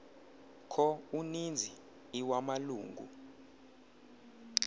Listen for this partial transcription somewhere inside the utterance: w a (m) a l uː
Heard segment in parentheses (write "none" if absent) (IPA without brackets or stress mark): m